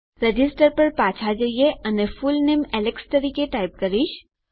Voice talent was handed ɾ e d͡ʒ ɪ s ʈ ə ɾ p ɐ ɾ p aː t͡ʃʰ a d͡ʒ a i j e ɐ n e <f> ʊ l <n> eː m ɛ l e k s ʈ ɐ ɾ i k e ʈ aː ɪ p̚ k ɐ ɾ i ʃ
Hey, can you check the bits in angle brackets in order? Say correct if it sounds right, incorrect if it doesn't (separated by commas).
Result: correct, correct